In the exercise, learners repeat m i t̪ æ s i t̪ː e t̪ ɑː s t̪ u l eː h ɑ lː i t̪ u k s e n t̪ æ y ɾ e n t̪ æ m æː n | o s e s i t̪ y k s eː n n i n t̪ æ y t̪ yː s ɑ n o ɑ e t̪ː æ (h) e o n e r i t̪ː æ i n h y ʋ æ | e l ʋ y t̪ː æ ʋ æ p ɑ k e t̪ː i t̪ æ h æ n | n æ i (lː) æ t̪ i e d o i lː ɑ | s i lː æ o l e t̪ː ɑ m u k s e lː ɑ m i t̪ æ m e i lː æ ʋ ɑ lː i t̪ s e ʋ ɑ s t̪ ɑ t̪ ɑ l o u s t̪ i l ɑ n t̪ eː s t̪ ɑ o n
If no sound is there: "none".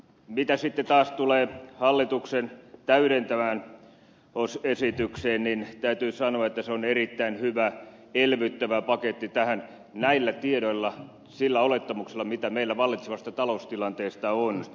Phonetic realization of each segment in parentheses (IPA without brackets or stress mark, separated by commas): s, lː